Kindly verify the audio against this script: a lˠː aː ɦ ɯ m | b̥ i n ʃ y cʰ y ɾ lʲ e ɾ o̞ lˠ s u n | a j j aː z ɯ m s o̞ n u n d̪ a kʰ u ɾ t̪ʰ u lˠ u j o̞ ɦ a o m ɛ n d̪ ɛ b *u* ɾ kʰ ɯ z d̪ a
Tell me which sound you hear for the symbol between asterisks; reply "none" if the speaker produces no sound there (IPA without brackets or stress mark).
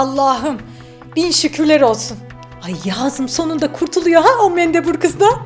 u